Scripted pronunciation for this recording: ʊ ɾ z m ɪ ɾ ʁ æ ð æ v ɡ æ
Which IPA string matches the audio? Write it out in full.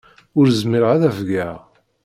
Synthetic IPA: ʊ ɾ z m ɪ ɾ ʁ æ ð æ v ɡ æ